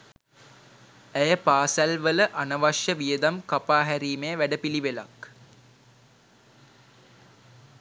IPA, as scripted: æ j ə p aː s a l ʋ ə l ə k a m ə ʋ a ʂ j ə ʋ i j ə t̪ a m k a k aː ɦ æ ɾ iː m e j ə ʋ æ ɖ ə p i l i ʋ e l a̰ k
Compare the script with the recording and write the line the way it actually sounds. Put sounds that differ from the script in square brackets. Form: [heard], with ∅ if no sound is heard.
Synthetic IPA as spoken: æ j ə p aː s [æ] l ʋ ə l ə [ʔ] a [n] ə ʋ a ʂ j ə ʋ i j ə [d̪] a m k a [p] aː ɦ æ ɾ iː m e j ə ʋ æ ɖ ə p i l i ʋ e l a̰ k